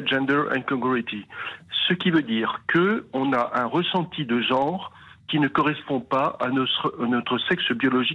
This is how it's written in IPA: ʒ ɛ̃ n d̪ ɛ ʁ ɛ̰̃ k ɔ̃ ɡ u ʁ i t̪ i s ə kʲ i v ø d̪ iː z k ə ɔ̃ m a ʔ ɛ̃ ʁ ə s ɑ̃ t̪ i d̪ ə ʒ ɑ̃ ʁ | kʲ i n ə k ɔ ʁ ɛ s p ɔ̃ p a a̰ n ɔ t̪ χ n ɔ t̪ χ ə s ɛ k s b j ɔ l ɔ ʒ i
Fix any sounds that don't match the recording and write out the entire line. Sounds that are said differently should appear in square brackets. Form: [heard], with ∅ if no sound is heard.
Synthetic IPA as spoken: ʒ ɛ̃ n d̪ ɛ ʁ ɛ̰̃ k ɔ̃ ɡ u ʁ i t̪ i s ə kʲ i v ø d̪ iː [ʁ] k ə ɔ̃ [n] a ʔ ɛ̃ ʁ ə s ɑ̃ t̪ i d̪ ə ʒ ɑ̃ ʁ | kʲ i n ə k ɔ ʁ ɛ s p ɔ̃ p a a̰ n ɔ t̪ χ n ɔ t̪ χ ə s ɛ k s b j ɔ l ɔ ʒ i